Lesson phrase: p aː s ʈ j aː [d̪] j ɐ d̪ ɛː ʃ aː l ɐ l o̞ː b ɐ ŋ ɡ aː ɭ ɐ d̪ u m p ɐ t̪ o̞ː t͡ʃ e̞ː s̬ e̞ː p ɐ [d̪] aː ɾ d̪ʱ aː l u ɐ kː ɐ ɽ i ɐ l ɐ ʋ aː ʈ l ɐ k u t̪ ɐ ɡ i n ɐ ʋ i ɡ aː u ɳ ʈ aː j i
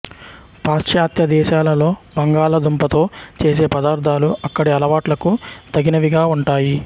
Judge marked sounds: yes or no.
no, yes

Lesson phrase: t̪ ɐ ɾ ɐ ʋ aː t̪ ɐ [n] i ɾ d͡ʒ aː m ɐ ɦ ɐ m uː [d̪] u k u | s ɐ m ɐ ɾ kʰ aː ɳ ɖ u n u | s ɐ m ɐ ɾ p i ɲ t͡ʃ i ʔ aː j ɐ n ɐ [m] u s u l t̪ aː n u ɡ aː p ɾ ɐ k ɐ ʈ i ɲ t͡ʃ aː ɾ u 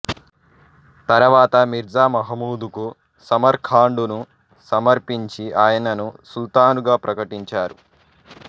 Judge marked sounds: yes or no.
no, yes, no

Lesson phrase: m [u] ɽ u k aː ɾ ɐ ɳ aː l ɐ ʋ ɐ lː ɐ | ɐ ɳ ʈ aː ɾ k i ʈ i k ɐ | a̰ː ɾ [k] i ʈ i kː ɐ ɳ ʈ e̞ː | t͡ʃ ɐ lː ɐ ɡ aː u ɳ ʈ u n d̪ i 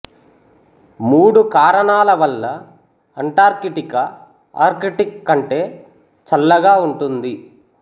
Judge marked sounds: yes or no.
no, yes

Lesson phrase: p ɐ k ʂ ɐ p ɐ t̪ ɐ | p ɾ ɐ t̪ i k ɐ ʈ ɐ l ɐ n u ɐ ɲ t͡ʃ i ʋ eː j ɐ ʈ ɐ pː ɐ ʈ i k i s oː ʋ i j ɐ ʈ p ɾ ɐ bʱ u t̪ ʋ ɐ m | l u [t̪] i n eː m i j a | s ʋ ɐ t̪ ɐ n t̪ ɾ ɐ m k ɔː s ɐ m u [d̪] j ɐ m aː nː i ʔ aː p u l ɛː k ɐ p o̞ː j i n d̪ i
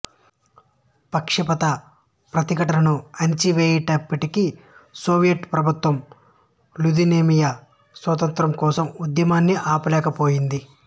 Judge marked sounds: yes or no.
no, yes

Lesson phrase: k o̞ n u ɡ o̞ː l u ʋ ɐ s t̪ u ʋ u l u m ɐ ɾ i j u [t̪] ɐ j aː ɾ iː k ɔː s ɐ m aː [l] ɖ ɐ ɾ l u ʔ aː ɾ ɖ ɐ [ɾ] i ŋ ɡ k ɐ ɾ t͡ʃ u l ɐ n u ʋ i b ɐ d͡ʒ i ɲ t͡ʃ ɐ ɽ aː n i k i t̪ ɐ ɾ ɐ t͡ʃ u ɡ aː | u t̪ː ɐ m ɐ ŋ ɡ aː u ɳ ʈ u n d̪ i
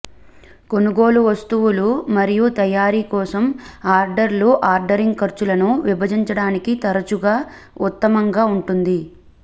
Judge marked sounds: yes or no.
yes, no, yes

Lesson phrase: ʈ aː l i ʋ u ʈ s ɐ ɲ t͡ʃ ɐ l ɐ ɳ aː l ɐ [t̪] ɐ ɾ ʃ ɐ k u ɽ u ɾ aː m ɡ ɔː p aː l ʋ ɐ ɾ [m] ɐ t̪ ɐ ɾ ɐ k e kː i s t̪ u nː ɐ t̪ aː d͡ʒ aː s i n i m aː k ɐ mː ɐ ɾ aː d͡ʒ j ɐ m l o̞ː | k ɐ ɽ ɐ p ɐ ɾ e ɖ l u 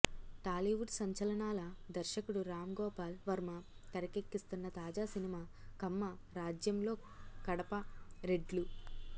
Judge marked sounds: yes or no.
no, yes

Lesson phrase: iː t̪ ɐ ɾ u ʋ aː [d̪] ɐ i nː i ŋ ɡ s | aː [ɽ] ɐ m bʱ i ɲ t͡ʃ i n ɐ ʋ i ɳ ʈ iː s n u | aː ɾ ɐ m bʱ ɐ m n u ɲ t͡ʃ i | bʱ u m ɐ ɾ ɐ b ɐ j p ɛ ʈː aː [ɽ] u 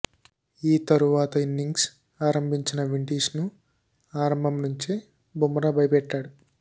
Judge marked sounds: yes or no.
no, no, yes

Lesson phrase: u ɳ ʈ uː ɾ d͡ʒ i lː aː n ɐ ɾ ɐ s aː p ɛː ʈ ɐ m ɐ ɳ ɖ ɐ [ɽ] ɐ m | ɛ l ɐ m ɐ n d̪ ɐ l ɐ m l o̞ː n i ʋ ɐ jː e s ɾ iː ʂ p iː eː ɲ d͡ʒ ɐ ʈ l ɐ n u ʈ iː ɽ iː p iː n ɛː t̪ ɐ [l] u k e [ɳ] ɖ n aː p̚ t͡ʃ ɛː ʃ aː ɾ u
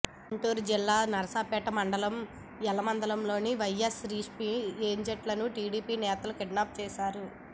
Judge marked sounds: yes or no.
no, yes, no

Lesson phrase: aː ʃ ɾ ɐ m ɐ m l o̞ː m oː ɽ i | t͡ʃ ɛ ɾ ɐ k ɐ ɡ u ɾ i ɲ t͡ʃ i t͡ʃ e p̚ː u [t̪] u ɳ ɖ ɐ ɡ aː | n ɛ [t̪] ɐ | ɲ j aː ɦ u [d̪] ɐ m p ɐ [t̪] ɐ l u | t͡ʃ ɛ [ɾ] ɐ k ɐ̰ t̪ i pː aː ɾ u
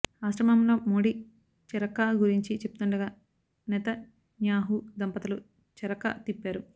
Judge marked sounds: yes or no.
yes, yes, yes, yes, yes

